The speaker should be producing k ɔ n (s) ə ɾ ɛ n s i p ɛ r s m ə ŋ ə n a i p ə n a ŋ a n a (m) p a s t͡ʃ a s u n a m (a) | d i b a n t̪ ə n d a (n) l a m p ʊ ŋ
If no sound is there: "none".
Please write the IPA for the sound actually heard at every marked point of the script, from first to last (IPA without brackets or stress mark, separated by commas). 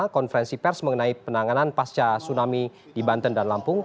f, n, i, n